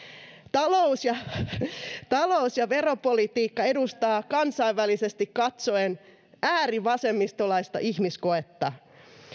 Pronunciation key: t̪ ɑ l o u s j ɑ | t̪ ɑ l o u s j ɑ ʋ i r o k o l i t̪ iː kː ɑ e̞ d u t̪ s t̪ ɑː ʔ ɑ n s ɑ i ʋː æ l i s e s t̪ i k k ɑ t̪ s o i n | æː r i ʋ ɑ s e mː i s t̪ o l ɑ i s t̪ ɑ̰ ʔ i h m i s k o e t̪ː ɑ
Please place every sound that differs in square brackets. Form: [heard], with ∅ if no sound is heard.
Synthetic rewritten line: t̪ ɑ l o u s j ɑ | t̪ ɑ l o u s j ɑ ʋ [e] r o [p] o l i t̪ iː kː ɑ e̞ d u [∅] s t̪ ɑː [k] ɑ n s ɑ i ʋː æ l i s e s t̪ i k k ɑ t̪ s o [e] n | æː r i ʋ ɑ s e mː i s t̪ o l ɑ i s t̪ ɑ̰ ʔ i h m i s k o e t̪ː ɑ